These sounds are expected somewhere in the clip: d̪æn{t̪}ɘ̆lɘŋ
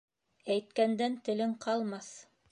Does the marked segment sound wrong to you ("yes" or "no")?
no